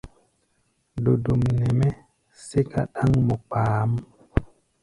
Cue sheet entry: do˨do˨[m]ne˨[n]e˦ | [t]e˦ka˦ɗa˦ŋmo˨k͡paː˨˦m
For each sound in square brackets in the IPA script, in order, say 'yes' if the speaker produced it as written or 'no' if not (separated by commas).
yes, no, no